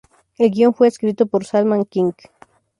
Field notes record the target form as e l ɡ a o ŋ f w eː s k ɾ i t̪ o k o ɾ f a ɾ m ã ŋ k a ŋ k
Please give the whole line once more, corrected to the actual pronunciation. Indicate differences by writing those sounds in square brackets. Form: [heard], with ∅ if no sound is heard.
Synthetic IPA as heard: e l ɡ [i] o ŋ f w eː s k ɾ i t̪ o [p] o ɾ [s] a [l] m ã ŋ k [i] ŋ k